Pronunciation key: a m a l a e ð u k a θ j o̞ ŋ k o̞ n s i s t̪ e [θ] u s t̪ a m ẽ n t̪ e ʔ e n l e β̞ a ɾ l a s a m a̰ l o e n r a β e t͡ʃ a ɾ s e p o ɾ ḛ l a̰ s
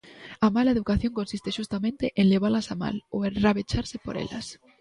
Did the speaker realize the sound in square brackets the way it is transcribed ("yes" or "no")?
no